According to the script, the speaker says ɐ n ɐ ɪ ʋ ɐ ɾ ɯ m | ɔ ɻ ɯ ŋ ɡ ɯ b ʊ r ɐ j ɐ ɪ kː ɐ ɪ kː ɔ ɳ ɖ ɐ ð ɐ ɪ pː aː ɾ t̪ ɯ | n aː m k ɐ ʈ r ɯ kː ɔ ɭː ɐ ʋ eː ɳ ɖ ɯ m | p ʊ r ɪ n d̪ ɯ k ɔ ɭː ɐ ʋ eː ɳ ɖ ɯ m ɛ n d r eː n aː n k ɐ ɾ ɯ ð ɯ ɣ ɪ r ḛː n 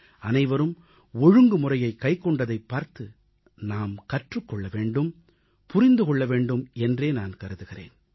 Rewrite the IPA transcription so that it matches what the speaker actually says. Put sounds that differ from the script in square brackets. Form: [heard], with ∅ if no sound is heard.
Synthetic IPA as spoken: ɐ n ɐ ɪ ʋ ɐ ɾ ɯ m | ɔ ɻ ɯ ŋ ɡ ɯ [m] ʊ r ɐ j ɐ ɪ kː ɐ ɪ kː ɔ ɳ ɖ ɐ ð ɐ ɪ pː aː ɾ t̪ ɯ | n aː m k ɐ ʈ r ɯ kː ɔ ɭː ɐ ʋ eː ɳ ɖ ɯ m | p ʊ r ɪ n d̪ ɯ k ɔ ɭː ɐ ʋ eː ɳ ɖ ɯ m ɛ n d r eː n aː n k ɐ ɾ ɯ ð ɯ ɣ ɪ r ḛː n